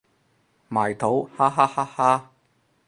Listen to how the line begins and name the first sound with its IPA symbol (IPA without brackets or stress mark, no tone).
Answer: m